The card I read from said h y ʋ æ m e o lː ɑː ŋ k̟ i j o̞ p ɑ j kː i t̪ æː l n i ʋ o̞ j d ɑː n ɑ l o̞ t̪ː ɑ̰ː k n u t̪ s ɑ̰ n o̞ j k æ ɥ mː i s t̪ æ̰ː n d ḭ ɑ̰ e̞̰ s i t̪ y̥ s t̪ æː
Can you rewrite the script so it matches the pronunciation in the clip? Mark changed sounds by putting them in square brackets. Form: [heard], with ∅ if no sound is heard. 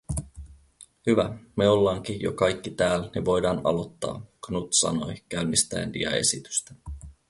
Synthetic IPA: h y ʋ æ m e o lː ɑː ŋ k̟ i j o̞ [k] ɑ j kː i t̪ æː l n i ʋ o̞ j d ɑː n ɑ l o̞ t̪ː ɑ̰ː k n u t̪ s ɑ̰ n o̞ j k æ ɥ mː i s t̪ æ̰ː n d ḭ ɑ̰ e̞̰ s i t̪ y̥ s t̪ [æ]